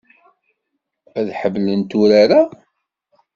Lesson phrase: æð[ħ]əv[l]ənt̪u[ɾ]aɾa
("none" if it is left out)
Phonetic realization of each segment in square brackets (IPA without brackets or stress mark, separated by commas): ħ, l, ɾ